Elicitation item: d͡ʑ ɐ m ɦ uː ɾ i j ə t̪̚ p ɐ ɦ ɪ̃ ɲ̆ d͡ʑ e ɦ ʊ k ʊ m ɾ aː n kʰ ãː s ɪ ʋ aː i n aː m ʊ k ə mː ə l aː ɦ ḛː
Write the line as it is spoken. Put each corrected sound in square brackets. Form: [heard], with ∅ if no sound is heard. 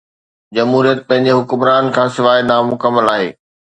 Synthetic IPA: d͡ʑ ɐ m ɦ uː ɾ i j ə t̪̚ p [ɐ̃] ɦ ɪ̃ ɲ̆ d͡ʑ e ɦ ʊ k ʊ m ɾ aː n kʰ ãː s ɪ ʋ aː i n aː m ʊ k ə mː ə l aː ɦ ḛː